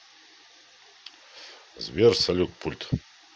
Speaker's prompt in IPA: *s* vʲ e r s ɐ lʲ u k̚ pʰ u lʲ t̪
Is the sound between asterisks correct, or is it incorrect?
incorrect